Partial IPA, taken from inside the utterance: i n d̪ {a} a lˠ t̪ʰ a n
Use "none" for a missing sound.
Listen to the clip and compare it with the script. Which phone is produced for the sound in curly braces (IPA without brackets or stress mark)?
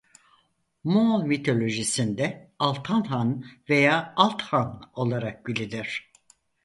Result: ɛ